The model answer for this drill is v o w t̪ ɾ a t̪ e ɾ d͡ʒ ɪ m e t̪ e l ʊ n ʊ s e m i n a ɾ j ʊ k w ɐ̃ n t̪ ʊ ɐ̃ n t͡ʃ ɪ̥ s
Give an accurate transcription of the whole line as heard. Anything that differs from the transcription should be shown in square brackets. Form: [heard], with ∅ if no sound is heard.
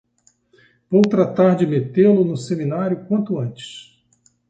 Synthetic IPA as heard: v o w t̪ ɾ a t̪ [a] ɾ d͡ʒ ɪ m e t̪ e l ʊ n ʊ s e m i n a ɾ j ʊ k w ɐ̃ n t̪ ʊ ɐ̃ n t͡ʃ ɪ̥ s

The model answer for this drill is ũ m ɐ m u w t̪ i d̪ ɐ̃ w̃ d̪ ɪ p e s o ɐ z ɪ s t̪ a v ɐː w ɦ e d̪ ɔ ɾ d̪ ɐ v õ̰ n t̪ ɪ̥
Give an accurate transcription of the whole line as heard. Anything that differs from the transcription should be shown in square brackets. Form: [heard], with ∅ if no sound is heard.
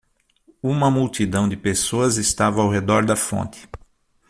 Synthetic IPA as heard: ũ m ɐ m u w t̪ i d̪ ɐ̃ w̃ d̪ ɪ p e s o ɐ z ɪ s t̪ a v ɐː w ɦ e d̪ ɔ ɾ d̪ ɐ [f] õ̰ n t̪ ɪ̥

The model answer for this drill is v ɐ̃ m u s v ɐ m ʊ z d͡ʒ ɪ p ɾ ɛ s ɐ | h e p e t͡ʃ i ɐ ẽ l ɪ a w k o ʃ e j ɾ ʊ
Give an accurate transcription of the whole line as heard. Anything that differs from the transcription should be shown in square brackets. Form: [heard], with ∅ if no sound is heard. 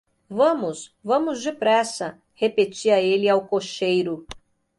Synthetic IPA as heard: v ɐ̃ m [ʊ] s v [ɐ̃] m ʊ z d͡ʒ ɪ p ɾ ɛ s ɐ | h e p e t͡ʃ i ɐ [e] l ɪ a w k o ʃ e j ɾ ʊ

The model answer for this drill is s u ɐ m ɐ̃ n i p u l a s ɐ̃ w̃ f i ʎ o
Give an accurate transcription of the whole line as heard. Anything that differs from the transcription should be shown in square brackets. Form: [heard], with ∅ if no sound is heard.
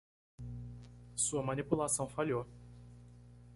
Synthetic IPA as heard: s u ɐ m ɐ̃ n i p u l a s ɐ̃ w̃ f [a] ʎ o

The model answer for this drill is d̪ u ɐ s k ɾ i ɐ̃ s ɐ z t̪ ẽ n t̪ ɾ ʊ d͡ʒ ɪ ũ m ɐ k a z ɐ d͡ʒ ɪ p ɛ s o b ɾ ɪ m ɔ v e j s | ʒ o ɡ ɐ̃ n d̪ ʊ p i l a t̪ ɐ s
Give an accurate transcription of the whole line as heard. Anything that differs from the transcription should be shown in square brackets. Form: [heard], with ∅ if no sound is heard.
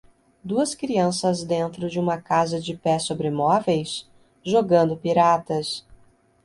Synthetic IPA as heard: d̪ u ɐ s k ɾ i ɐ̃ s ɐ z [d̪] ẽ n t̪ ɾ ʊ d͡ʒ ɪ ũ m ɐ k a z ɐ d͡ʒ ɪ p ɛ s o b ɾ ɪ m ɔ v e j s | ʒ o ɡ ɐ̃ n d̪ ʊ p i [ɾ] a t̪ ɐ s

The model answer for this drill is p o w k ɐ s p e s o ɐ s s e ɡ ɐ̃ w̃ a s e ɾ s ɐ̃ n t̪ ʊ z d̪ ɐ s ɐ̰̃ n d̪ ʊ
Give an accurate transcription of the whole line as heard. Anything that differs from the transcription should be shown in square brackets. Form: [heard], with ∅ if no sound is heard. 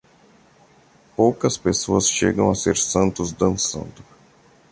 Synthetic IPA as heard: p o w k ɐ s p e s o ɐ s [ʃ] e ɡ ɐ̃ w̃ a s e ɾ s ɐ̃ n t̪ ʊ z d̪ [ɐ̃] s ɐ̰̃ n d̪ ʊ

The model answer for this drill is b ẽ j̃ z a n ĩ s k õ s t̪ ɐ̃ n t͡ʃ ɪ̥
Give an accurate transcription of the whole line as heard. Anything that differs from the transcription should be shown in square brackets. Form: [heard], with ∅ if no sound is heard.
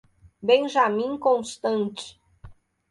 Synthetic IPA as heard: b ẽ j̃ [ʒ] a [m] ĩ [∅] k õ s t̪ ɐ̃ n t͡ʃ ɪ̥

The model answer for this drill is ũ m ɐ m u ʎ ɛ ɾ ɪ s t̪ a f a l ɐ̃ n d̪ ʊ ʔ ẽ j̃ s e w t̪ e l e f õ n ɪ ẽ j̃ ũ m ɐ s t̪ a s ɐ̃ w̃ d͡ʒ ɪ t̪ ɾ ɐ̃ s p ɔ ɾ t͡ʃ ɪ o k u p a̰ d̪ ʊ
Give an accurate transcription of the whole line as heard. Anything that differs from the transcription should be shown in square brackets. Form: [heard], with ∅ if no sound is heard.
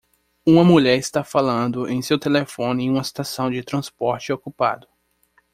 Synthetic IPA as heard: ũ m ɐ m u ʎ ɛ ɾ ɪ s t̪ a f a l ɐ̃ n d̪ ʊ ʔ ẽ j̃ s e w t̪ e l e f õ n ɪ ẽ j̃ ũ m ɐ s t̪ a s ɐ̃ w̃ d͡ʒ ɪ t̪ ɾ ɐ̃ s p ɔ ɾ t͡ʃ ɪ o k u p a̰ d̪ ʊ

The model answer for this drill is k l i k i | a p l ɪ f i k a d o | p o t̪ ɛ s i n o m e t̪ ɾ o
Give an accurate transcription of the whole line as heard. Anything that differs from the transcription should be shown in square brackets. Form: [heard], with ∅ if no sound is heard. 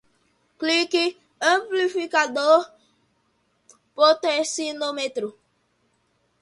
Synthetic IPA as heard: k l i k i | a p l [i] f i k a d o | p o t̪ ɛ s i n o m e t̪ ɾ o

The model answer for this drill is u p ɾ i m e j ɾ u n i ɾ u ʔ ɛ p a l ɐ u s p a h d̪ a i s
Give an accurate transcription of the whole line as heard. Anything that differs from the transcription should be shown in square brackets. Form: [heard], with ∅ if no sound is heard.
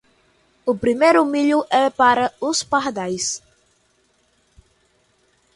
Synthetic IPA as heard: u p ɾ i m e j ɾ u [m] i [ʎ] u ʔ ɛ p a [ɾ] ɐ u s p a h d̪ a [j] s

